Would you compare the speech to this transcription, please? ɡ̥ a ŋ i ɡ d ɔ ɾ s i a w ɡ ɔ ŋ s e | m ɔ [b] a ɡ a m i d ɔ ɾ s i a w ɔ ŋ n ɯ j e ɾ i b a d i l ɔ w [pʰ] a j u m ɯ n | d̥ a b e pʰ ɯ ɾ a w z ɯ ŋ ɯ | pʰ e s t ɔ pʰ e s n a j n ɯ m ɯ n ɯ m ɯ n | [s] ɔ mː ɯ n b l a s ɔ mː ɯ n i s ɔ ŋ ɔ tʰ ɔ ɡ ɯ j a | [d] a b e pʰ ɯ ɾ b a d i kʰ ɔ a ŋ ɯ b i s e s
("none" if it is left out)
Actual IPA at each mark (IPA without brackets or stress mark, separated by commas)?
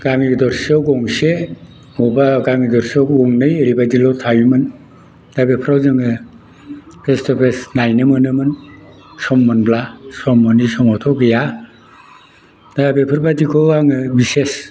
b, tʰ, s, d